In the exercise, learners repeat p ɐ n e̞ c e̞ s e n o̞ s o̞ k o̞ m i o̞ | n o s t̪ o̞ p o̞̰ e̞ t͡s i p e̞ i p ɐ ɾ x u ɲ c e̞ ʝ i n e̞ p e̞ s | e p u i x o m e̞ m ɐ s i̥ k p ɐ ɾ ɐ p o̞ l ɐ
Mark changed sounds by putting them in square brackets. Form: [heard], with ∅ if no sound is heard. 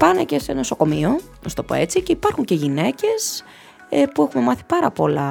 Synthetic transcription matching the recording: p ɐ n e̞ c e̞ s e n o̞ s o̞ k o̞ m i o̞ | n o s t̪ o̞ p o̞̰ e̞ t͡s i [c] e̞ i p ɐ ɾ x u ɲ c e̞ ʝ i n e̞ [c] e̞ s | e p u [e] x [u] m e̞ m ɐ [θ] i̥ [∅] p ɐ ɾ ɐ p o̞ l ɐ